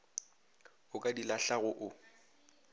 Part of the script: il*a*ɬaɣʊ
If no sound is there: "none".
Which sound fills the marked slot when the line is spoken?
a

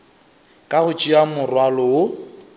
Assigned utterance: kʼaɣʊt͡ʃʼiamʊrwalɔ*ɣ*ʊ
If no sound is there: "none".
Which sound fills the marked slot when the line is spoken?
none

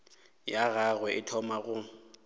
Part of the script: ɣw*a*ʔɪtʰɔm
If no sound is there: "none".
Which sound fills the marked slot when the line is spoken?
ɛ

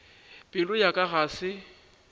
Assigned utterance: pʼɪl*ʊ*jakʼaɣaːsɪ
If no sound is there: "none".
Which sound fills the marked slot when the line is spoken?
ʊ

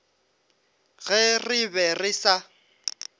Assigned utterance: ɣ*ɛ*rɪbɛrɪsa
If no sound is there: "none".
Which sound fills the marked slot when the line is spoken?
ɛ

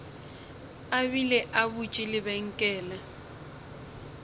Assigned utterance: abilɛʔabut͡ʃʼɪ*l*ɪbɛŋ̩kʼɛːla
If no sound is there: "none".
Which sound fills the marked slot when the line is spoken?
l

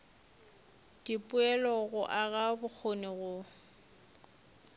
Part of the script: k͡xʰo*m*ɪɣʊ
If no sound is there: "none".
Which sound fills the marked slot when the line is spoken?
n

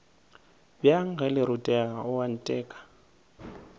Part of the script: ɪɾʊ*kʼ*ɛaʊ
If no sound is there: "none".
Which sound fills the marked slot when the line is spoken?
tʼ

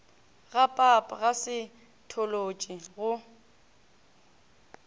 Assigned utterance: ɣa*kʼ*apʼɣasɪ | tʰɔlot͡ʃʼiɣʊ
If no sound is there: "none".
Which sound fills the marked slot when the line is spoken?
pʼ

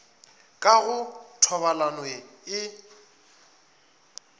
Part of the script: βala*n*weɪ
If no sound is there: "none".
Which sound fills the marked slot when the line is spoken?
n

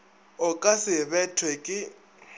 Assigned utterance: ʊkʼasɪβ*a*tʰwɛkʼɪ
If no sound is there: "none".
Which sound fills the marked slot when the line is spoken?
ɛ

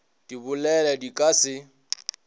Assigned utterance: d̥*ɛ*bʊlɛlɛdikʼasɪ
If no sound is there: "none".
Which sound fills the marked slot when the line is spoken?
i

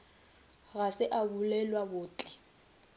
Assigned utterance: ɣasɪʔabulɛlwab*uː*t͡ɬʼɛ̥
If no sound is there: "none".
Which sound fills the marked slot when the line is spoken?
ʊː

